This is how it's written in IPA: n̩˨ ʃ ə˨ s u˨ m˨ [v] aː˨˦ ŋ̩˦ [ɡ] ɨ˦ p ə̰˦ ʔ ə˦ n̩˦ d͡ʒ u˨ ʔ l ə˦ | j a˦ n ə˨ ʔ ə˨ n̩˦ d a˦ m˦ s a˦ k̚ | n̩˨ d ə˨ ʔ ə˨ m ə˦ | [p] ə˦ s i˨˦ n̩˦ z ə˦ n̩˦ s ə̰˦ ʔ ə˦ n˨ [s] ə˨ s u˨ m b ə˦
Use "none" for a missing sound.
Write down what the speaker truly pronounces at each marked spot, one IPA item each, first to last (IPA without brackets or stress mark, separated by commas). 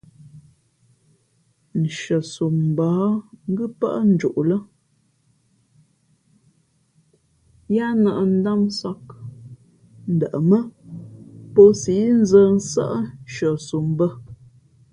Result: b, ɡ, p, ʃ